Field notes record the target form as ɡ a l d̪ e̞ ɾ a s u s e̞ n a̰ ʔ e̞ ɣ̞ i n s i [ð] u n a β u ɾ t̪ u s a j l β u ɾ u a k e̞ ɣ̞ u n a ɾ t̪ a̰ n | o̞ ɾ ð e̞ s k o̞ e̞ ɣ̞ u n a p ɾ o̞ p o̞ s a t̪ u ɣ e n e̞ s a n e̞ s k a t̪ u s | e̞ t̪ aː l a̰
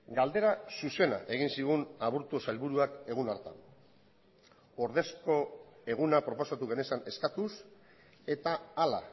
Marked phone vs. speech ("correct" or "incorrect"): incorrect